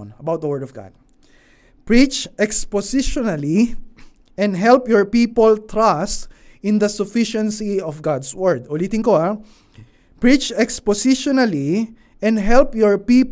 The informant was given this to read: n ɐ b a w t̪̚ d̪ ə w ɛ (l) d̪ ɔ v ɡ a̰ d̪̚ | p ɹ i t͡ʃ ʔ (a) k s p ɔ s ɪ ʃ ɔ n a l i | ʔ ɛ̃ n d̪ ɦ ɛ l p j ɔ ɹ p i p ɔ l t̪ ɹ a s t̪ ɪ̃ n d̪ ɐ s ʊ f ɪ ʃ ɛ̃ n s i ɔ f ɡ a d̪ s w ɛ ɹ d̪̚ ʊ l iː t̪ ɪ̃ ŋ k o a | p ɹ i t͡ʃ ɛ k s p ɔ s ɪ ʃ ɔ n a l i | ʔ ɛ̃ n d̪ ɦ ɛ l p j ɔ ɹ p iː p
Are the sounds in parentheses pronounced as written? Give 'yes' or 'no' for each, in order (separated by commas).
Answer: no, no